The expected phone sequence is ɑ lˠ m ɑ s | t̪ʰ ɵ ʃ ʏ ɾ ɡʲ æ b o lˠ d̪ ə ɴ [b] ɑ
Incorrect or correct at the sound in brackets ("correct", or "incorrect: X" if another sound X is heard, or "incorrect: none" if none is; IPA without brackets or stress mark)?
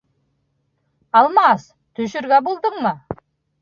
incorrect: m